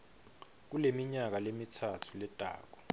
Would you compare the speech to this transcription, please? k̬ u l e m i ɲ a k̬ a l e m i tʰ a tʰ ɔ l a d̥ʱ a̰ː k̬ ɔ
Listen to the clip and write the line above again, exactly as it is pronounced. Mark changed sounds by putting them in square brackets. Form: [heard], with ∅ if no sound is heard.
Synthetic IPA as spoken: k̬ u l e m i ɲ a k̬ a l e m i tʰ a tʰ [u] l [ɛ] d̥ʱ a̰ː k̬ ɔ